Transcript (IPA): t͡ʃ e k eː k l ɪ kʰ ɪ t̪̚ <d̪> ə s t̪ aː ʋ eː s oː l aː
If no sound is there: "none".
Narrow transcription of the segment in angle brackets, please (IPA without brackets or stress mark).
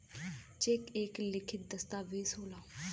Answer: d̪